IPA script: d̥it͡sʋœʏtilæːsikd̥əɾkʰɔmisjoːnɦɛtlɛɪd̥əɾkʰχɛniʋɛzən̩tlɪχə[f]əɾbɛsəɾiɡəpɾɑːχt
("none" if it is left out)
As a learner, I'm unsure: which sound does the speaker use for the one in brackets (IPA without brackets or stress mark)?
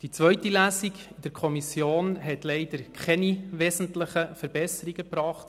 f